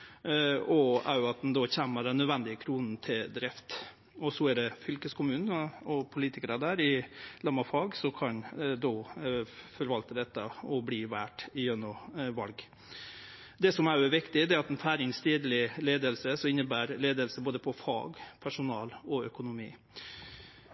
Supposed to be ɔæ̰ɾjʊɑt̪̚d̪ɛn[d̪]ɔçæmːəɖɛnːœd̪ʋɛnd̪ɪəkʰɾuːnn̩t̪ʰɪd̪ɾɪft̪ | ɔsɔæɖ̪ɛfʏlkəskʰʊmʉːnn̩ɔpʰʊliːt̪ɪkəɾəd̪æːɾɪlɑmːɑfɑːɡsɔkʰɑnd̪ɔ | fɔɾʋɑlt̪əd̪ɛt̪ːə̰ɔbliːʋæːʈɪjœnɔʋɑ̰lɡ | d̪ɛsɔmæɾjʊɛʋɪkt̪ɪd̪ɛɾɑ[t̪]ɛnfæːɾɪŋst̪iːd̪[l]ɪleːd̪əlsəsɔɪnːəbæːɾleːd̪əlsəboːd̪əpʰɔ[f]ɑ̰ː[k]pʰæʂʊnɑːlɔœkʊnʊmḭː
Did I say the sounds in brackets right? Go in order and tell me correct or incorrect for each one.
correct, correct, correct, correct, incorrect: ɡ

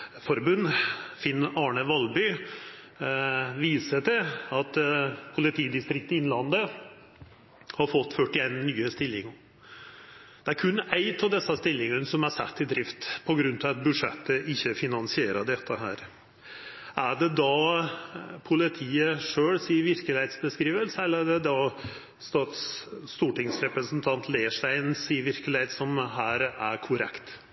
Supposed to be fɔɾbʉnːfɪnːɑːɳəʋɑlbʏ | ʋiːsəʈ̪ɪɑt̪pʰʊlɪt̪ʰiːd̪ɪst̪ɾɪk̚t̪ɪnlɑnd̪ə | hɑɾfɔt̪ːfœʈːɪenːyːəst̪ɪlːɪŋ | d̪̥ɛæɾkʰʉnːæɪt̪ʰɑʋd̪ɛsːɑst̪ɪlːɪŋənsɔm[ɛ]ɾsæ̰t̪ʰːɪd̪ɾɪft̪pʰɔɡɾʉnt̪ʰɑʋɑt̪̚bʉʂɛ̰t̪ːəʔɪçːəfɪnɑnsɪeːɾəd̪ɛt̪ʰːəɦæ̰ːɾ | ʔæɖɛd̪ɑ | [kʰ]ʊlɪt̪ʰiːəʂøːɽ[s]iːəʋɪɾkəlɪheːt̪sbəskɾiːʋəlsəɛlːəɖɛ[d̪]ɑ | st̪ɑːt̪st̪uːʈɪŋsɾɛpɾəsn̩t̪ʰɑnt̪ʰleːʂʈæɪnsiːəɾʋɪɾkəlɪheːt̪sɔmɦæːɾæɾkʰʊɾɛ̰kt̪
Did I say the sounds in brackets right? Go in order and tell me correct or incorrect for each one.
incorrect: æ, incorrect: pʰ, correct, correct

